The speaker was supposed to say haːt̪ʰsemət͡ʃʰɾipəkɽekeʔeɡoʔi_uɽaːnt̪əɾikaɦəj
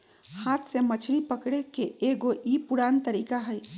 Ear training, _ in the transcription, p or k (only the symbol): p